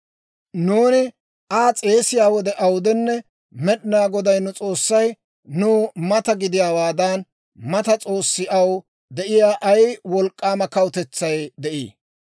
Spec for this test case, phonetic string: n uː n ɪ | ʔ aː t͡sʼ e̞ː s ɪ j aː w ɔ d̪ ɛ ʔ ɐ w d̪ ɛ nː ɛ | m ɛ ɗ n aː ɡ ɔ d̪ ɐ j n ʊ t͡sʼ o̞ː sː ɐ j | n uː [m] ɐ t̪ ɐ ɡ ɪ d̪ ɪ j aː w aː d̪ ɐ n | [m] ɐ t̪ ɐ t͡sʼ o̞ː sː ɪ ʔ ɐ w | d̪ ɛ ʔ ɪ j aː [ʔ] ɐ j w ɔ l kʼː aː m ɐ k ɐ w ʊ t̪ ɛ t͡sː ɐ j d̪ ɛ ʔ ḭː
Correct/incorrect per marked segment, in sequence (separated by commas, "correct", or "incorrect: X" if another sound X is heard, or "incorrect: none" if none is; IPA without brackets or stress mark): correct, correct, correct